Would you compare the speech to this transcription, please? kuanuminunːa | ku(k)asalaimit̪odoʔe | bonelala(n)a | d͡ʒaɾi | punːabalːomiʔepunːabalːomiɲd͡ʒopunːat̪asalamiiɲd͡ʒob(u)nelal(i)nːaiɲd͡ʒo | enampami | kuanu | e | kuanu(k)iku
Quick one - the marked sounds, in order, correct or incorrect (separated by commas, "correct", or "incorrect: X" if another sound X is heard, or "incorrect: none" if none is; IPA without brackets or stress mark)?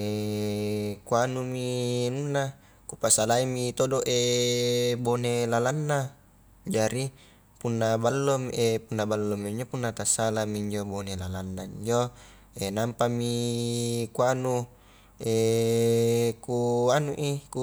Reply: incorrect: p, incorrect: nː, incorrect: o, incorrect: a, incorrect: ʔ